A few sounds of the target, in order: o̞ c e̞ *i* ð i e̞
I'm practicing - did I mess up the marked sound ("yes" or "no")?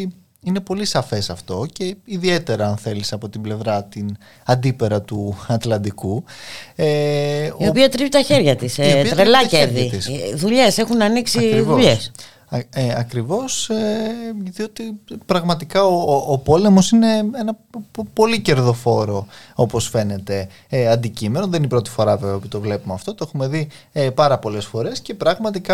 no